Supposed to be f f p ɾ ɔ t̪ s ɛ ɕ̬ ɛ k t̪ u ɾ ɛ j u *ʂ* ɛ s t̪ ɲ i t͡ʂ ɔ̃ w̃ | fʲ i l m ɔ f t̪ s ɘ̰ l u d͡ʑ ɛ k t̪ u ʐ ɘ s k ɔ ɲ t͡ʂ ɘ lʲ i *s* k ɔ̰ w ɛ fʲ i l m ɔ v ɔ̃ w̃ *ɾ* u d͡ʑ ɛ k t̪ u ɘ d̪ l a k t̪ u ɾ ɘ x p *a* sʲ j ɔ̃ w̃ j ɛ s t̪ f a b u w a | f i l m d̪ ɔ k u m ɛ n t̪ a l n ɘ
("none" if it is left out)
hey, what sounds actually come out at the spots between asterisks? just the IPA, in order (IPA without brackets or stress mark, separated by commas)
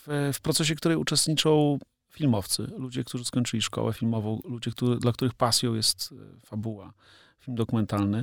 t͡ʂ, ʂ, l, a